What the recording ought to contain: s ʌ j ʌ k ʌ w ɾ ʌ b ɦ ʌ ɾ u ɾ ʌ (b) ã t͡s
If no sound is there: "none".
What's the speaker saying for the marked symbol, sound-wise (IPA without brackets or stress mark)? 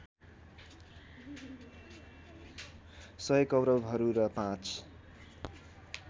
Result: p